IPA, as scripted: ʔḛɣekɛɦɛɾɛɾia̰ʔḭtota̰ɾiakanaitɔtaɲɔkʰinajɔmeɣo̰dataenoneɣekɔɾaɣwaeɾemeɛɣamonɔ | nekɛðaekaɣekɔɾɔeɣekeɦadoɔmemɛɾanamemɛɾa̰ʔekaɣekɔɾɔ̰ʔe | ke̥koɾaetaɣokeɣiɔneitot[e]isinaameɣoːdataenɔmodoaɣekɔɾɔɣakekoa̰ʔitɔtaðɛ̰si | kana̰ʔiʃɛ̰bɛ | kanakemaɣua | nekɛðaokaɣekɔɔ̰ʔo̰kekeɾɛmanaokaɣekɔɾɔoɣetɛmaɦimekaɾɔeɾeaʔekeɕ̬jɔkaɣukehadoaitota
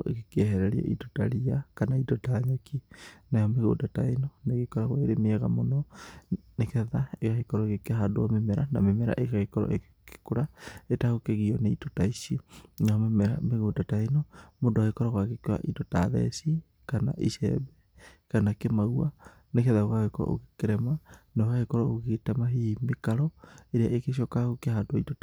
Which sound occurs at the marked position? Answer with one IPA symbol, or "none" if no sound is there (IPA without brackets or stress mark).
a